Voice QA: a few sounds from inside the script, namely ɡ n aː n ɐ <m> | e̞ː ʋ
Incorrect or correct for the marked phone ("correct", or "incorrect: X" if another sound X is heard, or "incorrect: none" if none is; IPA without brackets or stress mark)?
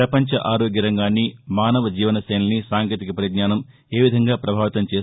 correct